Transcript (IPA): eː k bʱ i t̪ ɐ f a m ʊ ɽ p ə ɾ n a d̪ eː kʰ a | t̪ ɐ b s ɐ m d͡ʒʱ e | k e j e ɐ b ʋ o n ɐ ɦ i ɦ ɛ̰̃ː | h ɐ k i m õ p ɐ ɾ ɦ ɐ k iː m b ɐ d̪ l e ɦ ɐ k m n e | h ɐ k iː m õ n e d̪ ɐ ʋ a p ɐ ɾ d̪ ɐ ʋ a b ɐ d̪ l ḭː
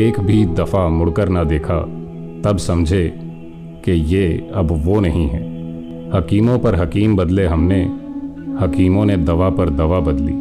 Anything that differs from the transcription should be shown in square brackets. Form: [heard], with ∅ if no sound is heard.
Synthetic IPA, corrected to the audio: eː k bʱ i [d̪] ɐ f a m ʊ ɽ [k] ə ɾ n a d̪ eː kʰ a | t̪ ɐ b s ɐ m d͡ʒʱ e | k e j e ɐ b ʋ o n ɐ ɦ [ĩ] ɦ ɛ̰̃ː | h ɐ k [iː] m õ p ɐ ɾ ɦ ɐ k iː m b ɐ d̪ l e ɦ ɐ [∅] m n e | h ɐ k iː m õ n e d̪ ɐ ʋ a p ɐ ɾ d̪ ɐ ʋ a b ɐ d̪ l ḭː